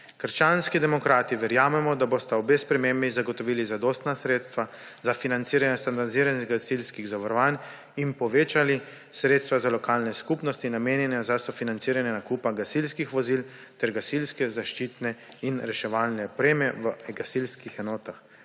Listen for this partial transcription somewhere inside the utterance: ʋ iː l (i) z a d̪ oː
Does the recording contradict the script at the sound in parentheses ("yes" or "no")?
no